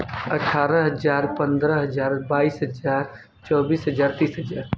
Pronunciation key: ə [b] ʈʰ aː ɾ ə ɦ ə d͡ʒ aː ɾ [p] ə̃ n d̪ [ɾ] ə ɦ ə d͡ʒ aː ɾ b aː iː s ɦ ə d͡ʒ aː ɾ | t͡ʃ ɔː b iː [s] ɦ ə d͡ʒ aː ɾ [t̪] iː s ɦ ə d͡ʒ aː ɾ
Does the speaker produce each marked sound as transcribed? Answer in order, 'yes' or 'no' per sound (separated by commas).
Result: no, yes, yes, yes, yes